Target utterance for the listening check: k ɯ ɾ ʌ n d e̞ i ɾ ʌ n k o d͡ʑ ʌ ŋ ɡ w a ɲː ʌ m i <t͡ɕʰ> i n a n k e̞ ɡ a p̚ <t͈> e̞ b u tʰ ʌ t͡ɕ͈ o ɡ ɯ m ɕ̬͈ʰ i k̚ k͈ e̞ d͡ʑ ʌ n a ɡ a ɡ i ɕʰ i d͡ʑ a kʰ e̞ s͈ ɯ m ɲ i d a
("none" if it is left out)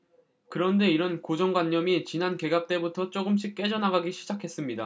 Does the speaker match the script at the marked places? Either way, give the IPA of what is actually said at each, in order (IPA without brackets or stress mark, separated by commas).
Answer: t͡ɕ, t͈